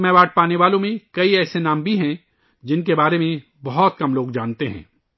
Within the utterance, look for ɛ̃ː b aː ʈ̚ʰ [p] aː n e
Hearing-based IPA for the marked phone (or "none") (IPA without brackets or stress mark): p